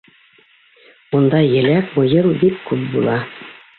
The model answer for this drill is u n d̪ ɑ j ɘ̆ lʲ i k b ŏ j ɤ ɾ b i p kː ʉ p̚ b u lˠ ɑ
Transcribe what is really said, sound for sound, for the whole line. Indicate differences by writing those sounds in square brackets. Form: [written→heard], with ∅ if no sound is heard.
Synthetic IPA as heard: u n d̪ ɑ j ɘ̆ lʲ [i→æ] k [b→m] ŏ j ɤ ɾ b i [p→k] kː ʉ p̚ b u lˠ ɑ